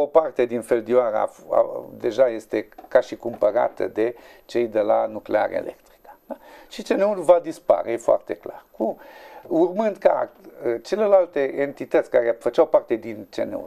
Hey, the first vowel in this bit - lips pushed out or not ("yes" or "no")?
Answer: yes